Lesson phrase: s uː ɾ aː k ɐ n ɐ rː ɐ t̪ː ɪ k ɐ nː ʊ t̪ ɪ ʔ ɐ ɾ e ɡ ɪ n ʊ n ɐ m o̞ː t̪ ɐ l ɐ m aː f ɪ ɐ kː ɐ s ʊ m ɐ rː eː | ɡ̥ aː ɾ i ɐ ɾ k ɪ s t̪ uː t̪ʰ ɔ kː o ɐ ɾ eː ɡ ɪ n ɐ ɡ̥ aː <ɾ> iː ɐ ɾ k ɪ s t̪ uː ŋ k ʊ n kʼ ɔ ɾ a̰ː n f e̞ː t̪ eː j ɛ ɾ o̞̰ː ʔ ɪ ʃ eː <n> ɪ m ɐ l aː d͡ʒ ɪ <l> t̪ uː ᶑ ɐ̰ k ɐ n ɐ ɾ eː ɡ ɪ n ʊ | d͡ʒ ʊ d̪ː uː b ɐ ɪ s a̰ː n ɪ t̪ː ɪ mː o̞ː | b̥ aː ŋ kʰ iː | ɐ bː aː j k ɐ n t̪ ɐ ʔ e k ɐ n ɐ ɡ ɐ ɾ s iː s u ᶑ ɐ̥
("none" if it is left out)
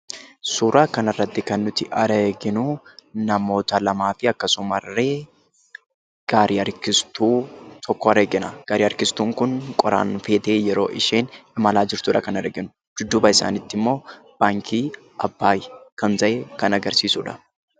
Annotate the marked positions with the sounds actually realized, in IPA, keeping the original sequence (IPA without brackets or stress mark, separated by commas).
ɾ, n, ɾ